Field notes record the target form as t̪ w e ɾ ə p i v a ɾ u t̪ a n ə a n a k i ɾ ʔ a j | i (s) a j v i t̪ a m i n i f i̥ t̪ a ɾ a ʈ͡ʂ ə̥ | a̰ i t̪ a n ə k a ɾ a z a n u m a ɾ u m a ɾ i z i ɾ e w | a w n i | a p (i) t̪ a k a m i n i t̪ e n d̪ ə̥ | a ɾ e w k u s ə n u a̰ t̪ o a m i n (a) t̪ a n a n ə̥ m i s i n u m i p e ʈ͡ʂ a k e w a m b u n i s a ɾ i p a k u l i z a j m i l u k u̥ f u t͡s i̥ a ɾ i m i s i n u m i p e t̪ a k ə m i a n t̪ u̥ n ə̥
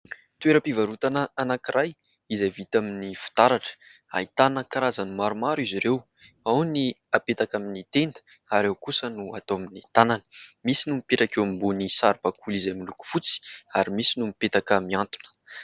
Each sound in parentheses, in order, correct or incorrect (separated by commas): incorrect, incorrect, incorrect